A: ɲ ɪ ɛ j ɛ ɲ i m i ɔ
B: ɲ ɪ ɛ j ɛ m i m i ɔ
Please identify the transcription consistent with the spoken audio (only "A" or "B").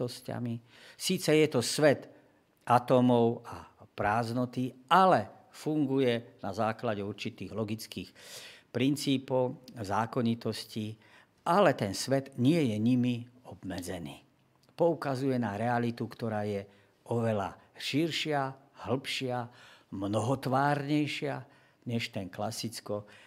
A